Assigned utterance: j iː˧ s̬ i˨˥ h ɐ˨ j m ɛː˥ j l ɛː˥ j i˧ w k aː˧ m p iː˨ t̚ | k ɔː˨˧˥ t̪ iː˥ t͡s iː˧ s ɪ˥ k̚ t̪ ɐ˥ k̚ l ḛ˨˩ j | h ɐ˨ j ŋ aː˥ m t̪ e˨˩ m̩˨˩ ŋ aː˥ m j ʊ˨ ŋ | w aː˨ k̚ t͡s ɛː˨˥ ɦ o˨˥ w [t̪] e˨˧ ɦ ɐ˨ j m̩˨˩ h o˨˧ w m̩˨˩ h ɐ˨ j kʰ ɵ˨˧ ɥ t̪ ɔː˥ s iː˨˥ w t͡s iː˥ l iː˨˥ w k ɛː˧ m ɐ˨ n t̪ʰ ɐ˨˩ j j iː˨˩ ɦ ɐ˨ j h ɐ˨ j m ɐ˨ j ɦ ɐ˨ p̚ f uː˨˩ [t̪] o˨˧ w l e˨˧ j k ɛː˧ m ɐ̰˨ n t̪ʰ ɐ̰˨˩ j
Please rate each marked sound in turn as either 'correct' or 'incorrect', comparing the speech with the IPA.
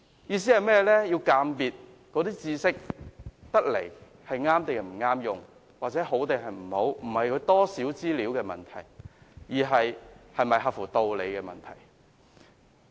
correct, correct

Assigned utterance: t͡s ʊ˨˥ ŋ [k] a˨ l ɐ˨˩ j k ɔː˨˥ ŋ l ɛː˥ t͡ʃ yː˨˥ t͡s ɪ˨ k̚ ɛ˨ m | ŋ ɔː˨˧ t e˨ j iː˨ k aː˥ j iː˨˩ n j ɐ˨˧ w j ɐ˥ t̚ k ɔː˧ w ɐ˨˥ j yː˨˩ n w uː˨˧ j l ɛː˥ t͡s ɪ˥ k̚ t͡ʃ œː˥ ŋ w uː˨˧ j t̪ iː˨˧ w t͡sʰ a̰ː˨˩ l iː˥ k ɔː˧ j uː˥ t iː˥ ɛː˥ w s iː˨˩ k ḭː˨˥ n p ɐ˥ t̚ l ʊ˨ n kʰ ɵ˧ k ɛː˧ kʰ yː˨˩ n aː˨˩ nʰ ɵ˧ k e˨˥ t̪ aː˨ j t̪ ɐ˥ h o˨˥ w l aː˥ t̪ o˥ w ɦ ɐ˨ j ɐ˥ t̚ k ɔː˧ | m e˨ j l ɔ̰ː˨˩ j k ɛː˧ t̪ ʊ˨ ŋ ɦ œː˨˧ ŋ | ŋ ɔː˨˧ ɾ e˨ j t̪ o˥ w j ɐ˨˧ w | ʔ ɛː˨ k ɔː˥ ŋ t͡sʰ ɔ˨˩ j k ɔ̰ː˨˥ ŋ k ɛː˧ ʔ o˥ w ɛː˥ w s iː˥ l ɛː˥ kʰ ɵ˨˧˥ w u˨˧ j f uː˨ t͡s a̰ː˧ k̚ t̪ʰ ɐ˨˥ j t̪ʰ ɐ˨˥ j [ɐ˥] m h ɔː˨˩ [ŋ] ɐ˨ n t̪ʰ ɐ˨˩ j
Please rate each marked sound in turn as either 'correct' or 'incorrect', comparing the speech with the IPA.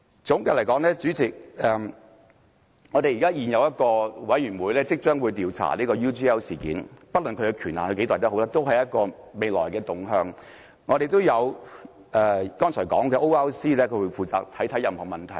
correct, incorrect: ɐ˨, incorrect: m

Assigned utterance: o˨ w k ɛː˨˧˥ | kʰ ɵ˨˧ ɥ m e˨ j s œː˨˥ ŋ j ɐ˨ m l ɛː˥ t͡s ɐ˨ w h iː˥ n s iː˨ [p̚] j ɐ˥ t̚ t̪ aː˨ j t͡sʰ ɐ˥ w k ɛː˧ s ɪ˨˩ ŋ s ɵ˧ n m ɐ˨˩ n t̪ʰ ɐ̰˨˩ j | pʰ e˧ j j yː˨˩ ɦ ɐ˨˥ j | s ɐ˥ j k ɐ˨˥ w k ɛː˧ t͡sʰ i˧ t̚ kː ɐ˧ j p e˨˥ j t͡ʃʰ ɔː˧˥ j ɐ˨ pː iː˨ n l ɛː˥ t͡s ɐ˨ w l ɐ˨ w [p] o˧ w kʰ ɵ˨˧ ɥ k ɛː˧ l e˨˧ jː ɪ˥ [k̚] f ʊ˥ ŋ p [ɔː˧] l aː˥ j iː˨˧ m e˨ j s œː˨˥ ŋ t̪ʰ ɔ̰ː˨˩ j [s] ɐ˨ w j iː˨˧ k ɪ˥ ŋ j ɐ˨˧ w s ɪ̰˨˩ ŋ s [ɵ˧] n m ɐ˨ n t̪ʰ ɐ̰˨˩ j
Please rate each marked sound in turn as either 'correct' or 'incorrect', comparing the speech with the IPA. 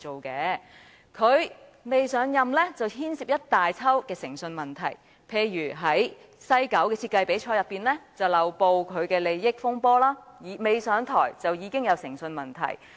correct, correct, correct, incorrect: ɔː˥, incorrect: t͡s, correct

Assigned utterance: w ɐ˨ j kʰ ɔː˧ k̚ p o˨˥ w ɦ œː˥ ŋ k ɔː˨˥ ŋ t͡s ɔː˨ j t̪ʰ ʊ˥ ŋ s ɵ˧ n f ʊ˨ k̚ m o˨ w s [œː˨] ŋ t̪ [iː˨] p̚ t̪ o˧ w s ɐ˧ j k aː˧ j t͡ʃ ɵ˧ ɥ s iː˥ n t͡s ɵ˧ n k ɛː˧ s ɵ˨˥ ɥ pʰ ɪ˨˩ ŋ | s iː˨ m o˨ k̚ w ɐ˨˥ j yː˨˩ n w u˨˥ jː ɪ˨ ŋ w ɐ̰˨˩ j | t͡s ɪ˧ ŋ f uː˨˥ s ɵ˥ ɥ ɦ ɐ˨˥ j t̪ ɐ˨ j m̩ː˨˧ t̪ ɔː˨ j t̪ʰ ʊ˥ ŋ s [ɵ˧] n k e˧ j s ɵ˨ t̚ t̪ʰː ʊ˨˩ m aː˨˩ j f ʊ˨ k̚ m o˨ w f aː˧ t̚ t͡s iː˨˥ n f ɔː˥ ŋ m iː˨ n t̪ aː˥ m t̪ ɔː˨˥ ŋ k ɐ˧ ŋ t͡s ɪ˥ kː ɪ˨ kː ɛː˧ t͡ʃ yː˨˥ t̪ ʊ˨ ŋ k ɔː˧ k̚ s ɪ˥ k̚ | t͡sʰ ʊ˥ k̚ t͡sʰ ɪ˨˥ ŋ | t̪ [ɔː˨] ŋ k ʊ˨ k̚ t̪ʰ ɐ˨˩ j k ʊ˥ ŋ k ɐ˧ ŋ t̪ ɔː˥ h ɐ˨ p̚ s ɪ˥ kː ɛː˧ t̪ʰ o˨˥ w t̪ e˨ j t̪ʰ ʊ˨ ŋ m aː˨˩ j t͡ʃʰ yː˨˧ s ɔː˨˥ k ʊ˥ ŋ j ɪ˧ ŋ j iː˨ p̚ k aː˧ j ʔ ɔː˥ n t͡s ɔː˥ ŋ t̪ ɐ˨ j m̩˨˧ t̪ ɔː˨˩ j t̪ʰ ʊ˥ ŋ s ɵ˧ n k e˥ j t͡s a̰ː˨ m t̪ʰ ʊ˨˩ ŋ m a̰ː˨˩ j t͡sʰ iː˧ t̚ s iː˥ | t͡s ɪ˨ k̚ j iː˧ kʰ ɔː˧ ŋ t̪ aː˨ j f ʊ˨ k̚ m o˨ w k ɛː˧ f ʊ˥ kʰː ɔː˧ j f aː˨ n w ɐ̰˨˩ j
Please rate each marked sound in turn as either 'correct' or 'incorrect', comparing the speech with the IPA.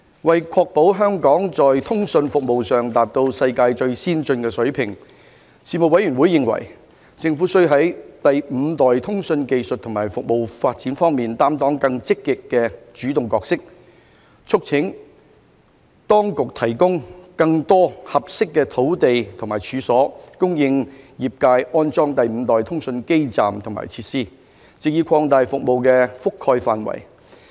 correct, incorrect: aː˨, correct, incorrect: ɔː˥

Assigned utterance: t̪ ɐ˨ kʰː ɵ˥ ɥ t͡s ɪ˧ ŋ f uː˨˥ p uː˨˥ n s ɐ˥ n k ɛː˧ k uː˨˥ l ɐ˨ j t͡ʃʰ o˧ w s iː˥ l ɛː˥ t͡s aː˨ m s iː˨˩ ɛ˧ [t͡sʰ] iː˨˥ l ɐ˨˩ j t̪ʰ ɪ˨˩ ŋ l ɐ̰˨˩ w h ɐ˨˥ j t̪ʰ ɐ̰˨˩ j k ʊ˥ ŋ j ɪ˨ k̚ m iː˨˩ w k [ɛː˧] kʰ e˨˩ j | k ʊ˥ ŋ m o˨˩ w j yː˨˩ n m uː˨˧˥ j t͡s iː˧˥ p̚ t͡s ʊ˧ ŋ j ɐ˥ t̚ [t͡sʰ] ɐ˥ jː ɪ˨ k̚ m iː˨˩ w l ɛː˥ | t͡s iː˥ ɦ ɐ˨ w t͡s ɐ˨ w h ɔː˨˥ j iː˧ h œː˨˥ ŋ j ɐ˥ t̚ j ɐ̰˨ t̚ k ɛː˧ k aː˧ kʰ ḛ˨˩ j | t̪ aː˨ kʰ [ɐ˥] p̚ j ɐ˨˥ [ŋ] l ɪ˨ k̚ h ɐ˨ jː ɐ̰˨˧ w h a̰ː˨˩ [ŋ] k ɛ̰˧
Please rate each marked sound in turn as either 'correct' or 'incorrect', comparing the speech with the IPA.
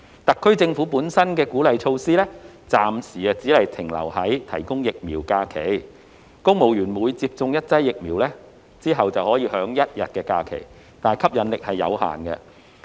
incorrect: t͡s, incorrect: aː˧, incorrect: t͡s, correct, incorrect: n, incorrect: n

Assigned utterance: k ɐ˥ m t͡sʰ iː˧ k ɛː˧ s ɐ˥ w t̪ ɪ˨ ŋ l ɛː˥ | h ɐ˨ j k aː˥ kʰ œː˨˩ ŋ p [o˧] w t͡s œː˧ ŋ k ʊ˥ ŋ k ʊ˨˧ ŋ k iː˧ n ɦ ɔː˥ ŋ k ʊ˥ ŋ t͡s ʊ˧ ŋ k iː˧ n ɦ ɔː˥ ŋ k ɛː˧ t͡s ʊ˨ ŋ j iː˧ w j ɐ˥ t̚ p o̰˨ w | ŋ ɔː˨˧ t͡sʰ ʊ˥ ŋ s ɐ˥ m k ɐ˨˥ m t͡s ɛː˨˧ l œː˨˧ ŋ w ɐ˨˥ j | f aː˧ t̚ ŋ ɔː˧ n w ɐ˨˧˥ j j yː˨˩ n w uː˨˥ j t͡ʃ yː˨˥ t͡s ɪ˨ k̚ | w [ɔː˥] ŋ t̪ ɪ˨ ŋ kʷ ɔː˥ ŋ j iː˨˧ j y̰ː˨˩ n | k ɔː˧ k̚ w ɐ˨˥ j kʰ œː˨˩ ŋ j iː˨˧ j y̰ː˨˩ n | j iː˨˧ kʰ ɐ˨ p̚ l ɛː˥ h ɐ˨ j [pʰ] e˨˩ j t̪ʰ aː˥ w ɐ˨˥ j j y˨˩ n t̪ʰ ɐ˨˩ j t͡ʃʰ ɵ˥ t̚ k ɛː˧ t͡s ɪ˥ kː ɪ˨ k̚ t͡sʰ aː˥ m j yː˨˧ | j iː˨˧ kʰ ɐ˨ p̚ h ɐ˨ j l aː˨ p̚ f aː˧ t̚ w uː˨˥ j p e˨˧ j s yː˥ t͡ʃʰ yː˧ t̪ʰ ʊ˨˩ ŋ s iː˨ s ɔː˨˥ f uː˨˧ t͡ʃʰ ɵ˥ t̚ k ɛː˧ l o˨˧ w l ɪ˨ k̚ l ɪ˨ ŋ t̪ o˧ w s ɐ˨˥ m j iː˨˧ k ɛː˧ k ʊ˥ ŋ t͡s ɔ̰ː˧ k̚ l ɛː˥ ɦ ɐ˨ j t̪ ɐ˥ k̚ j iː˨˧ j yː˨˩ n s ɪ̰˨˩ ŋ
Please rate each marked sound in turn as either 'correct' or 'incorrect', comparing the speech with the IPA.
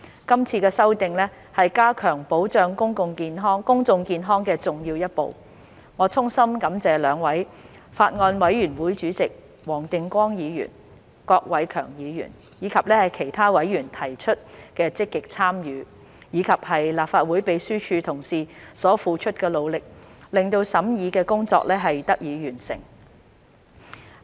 incorrect: o˨˥, incorrect: ɔː˨˩, incorrect: kʰ

